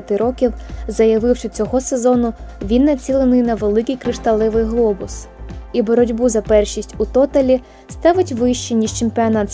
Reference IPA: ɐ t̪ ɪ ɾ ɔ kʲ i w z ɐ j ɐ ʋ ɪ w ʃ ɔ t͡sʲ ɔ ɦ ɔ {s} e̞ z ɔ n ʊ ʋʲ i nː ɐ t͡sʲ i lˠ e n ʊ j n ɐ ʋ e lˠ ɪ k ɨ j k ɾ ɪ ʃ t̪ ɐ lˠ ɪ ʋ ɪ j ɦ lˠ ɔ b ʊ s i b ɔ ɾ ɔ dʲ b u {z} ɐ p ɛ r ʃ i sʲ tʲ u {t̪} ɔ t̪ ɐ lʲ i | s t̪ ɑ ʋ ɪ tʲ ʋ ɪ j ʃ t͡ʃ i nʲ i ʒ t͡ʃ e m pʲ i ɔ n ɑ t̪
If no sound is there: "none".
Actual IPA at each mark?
s, z, t̪

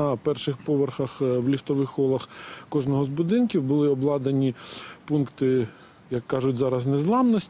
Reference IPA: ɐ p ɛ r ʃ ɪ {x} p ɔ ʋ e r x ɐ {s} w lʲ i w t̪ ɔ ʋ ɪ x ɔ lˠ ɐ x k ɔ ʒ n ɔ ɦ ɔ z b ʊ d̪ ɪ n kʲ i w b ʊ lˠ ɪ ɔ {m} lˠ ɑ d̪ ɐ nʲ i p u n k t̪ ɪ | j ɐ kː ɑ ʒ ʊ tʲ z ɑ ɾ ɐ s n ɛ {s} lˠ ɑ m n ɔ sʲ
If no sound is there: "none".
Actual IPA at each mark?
x, x, b, z

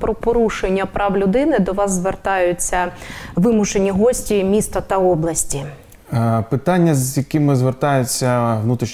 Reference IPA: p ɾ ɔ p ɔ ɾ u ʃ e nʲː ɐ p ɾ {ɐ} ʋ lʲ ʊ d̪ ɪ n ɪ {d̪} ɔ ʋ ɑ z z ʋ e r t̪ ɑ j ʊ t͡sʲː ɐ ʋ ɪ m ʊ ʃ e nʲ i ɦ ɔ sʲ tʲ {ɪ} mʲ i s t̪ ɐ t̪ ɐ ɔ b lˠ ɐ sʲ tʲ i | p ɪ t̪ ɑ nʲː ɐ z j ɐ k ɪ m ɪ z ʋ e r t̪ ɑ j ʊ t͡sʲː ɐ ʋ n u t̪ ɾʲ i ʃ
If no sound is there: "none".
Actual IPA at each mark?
ɑ, d̪, i

